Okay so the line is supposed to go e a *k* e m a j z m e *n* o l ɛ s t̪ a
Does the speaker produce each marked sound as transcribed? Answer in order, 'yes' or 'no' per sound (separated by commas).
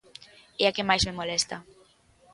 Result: yes, no